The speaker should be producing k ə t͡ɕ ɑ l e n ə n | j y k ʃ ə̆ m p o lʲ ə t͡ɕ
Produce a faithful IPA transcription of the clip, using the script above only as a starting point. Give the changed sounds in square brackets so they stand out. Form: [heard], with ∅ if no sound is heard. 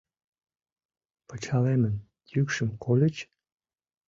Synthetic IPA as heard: [p] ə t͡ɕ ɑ l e [m] ə n | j y k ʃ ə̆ m [k] o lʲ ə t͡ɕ